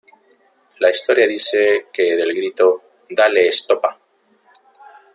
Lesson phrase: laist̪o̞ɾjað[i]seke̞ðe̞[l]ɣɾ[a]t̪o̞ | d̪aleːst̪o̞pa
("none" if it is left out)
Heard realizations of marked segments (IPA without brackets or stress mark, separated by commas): i, l, i